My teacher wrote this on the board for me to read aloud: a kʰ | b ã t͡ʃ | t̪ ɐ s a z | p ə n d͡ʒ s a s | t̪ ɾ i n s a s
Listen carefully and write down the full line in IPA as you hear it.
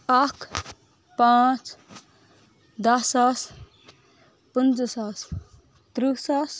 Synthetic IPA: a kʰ | p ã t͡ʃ | d̪ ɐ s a s | p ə n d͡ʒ s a s | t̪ ɾ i s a s